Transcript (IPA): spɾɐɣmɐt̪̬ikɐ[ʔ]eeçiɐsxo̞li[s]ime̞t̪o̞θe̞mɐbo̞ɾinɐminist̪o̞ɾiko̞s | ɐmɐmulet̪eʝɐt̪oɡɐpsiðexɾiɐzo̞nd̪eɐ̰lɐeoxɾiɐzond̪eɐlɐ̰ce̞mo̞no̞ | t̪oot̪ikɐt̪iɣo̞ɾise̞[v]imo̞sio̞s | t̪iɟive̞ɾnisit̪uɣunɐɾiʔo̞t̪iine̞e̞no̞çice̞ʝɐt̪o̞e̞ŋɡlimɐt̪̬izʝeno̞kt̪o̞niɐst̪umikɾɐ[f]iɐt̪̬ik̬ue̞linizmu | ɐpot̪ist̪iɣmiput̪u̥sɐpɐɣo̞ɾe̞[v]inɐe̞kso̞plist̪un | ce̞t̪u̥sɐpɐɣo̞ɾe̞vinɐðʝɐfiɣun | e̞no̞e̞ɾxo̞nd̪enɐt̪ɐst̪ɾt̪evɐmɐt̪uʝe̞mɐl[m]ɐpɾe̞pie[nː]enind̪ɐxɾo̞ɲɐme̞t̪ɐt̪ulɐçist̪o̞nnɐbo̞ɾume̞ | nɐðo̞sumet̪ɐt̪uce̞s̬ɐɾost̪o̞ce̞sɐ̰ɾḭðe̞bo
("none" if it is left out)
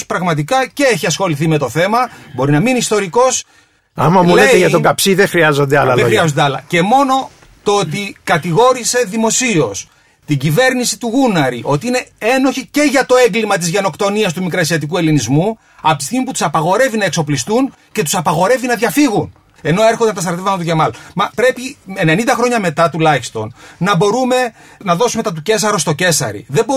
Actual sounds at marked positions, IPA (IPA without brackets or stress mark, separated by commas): c, θ, ð, s, v, m, n